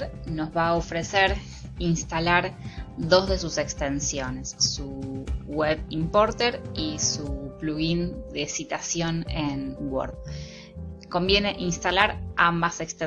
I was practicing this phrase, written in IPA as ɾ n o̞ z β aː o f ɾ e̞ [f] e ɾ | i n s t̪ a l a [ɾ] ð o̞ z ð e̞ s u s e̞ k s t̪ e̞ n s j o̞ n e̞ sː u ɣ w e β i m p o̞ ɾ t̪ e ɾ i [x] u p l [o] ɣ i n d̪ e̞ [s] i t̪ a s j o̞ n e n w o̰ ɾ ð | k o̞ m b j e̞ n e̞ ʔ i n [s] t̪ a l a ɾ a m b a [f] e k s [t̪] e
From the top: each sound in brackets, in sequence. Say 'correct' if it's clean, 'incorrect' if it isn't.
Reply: incorrect: s, correct, incorrect: s, incorrect: u, correct, correct, incorrect: s, correct

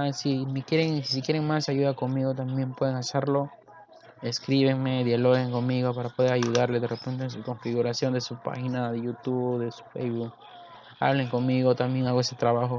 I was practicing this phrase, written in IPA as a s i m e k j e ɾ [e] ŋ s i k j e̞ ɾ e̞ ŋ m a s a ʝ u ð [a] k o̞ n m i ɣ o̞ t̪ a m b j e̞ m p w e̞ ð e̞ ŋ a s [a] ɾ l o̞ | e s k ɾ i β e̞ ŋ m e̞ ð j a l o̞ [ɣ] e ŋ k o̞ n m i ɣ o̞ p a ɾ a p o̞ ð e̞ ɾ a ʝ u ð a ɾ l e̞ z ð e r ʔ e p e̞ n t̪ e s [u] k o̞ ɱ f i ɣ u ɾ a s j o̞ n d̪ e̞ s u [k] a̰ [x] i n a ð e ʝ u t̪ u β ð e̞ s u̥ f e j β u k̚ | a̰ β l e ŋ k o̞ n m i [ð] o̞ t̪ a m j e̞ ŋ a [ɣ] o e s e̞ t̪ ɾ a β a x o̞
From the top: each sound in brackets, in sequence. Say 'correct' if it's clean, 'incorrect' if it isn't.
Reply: correct, correct, incorrect: e, correct, correct, incorrect: p, correct, incorrect: ɣ, correct

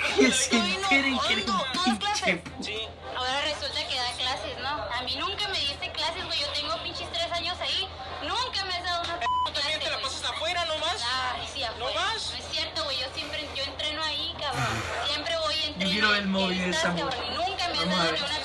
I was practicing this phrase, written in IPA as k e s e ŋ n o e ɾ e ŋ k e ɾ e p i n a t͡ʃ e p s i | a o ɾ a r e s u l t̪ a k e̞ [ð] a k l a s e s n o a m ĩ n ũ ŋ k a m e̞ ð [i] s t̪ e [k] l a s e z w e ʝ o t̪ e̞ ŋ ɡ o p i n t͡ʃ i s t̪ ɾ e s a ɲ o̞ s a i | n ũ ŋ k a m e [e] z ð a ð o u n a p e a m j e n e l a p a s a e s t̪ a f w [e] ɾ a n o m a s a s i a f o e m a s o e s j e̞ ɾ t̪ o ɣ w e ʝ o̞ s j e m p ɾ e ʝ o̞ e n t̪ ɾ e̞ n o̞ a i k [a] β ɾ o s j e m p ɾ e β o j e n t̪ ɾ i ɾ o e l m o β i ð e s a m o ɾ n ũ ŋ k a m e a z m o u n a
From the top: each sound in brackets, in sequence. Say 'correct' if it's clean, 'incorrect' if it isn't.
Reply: correct, correct, correct, incorrect: a, correct, correct

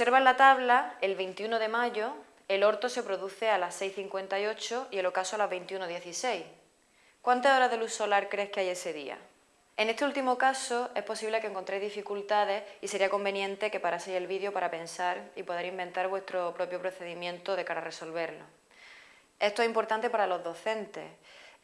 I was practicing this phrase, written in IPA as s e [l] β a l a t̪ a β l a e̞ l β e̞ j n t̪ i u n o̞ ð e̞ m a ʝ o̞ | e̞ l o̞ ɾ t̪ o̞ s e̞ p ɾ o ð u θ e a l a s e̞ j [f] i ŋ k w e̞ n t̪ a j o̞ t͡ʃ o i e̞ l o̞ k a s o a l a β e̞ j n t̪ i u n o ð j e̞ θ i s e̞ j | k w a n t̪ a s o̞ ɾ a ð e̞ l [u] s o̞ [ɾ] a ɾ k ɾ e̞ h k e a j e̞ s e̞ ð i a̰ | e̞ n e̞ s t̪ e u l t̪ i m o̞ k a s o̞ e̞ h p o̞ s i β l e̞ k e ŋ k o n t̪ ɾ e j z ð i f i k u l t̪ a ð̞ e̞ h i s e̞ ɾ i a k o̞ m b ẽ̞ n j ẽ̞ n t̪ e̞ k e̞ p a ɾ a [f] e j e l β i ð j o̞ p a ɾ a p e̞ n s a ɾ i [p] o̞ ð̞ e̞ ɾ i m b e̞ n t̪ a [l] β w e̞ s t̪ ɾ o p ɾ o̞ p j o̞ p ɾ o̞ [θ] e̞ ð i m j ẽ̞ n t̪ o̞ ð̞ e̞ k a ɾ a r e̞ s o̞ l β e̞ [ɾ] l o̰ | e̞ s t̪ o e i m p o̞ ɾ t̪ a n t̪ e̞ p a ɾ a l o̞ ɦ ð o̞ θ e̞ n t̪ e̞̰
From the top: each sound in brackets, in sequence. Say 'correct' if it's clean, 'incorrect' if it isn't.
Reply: incorrect: ɾ, incorrect: θ, correct, incorrect: l, incorrect: s, correct, incorrect: ɾ, correct, correct

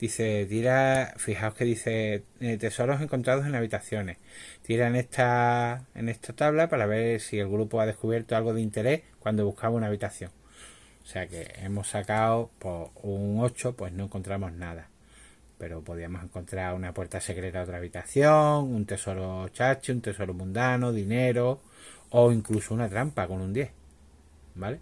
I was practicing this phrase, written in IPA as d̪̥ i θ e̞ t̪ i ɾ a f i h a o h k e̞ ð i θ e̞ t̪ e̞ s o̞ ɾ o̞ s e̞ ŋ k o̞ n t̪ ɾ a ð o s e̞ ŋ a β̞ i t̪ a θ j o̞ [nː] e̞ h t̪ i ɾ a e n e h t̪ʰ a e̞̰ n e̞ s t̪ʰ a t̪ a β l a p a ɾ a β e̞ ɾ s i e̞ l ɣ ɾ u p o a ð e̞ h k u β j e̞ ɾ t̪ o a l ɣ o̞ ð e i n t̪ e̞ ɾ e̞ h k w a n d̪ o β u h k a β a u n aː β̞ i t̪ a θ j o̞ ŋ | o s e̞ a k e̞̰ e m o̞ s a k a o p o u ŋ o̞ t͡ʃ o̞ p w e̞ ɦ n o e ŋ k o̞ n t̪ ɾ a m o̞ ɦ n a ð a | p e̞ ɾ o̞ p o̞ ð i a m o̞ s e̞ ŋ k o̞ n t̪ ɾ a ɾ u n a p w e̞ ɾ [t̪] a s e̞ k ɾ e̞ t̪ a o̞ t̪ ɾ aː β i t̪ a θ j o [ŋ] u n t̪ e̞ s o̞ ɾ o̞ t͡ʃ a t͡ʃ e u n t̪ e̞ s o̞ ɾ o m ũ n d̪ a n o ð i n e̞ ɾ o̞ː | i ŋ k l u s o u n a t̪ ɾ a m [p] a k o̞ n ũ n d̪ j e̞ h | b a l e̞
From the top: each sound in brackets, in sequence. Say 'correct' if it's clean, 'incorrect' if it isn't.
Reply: incorrect: n, correct, correct, correct

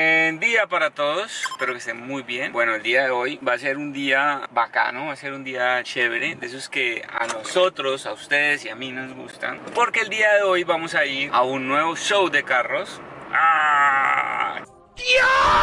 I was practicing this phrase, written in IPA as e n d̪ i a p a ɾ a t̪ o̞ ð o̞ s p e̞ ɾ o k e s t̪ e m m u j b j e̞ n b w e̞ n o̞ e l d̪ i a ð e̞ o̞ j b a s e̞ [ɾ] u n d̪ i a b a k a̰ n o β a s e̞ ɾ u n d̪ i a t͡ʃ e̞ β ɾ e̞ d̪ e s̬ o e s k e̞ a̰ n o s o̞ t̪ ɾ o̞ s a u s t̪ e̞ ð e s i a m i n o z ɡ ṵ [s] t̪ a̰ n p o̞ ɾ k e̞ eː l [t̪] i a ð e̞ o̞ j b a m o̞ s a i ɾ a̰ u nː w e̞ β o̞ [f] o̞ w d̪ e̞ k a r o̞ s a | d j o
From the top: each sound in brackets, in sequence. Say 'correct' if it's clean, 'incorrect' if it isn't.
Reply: correct, correct, incorrect: d̪, incorrect: ʃ

